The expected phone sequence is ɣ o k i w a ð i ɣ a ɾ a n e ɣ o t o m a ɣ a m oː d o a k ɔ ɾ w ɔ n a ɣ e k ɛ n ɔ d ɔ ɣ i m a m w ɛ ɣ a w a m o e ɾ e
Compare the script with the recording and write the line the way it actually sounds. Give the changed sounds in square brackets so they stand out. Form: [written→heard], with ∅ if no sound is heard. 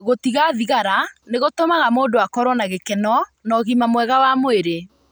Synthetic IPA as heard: ɣ o [k→t] i [w→ɣ] a ð i ɣ a ɾ a n e ɣ o t o m a ɣ a m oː d o a k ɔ ɾ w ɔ n a ɣ e k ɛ n ɔ [d→n] ɔ ɣ i m a m w ɛ ɣ a w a m o e ɾ e

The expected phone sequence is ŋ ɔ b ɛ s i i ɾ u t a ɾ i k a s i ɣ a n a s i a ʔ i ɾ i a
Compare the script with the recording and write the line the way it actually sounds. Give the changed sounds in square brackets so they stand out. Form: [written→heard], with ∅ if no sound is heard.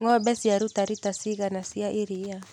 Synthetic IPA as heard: ŋ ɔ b ɛ s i [i→a] ɾ u t a ɾ i [k→t] a s i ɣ a n a s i a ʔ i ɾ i a

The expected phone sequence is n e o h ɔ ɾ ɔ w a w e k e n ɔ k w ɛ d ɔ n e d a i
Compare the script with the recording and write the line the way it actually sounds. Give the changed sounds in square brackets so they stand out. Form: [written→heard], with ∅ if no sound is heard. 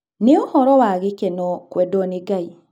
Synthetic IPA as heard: n e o h ɔ ɾ ɔ w a [w→ɣ] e k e n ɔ k w ɛ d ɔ n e [d→ɡ] a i

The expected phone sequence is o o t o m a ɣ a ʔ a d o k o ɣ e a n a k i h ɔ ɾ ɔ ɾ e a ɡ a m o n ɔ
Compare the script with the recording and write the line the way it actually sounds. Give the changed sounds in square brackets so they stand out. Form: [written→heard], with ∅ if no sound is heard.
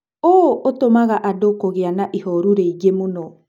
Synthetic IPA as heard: o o t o m a ɣ a ʔ a d o k o ɣ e a n a [k→ʔ] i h ɔ ɾ [ɔ→u] ɾ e [a→i] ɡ [a→e] m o n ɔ

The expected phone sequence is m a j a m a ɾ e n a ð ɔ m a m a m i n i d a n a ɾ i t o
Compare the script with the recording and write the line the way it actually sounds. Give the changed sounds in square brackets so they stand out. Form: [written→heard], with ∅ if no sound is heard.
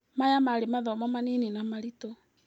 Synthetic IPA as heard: m a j a m a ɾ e [n→m] a ð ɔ m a m a [m→n] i n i [d→n] a [n→m] a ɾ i t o

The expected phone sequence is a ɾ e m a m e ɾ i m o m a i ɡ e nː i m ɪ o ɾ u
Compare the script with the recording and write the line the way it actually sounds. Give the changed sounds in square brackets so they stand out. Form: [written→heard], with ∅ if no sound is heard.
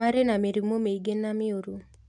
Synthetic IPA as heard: a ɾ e [m→n] a m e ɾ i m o m [a→e] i ɡ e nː [i→a] m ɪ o ɾ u

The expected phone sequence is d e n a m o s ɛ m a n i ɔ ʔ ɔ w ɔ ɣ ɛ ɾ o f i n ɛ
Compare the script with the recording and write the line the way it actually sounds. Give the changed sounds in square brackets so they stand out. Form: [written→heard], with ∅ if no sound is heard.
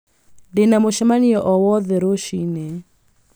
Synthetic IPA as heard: d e n a m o [s→ʃ] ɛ m a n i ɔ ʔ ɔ w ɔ [ɣ→ð] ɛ ɾ o [f→ʃ] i n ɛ

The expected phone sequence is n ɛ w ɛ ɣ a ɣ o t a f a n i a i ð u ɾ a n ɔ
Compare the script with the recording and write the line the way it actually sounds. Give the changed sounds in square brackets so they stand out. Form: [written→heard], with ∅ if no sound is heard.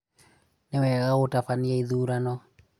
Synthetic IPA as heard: n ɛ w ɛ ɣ a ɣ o t a f a n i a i ð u ɾ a n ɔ

